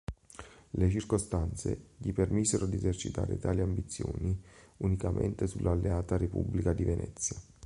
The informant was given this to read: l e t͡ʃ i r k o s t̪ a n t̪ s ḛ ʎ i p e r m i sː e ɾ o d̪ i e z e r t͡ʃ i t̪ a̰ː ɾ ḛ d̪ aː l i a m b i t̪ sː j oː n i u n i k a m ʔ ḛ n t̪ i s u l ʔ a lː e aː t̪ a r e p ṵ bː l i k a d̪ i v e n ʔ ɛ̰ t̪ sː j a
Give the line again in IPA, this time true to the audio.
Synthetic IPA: l e t͡ʃ i r k o s t̪ a n t̪ s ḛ ʎ i p e r m i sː e ɾ o d̪ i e z e r t͡ʃ i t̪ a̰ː ɾ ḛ t̪ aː l i a m b i t̪ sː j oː n i u n i k a m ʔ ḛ n t̪ e s u l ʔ a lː e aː t̪ a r e p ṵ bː l i k a d̪ i v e n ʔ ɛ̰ t̪ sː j a